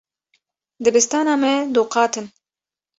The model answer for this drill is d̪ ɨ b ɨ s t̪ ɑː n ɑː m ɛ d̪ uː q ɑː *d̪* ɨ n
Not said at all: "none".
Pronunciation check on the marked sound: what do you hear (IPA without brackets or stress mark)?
t̪